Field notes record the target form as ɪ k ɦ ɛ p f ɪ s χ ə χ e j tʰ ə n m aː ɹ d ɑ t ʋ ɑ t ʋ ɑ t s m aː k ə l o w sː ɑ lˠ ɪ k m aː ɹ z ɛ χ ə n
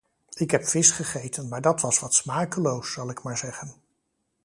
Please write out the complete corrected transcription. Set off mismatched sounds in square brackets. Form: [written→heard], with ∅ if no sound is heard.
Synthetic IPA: ɪ k ɦ ɛ p f ɪ s χ ə χ e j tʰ ə n m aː ɹ d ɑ t ʋ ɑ [t→s] ʋ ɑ t s m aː k ə l o w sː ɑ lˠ ɪ k m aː ɹ z ɛ χ ə n

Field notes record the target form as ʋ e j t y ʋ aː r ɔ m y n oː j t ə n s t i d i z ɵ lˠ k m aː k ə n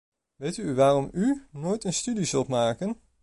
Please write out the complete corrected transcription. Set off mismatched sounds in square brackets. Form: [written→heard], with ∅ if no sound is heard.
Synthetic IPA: ʋ e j t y ʋ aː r ɔ m y n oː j t ə n s t [i→y] d i z ɵ lˠ [k→t] m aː k ə n

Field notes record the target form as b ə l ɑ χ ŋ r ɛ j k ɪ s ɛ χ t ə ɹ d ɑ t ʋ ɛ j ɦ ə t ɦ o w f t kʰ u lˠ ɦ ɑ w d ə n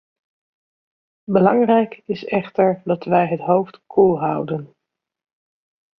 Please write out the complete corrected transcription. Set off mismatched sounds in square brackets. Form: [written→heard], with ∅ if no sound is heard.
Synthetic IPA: b ə l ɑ [χ→∅] ŋ r ɛ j k ɪ s ɛ χ t ə ɹ d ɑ t ʋ ɛ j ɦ ə t ɦ o w f t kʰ u lˠ ɦ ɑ w d ə n

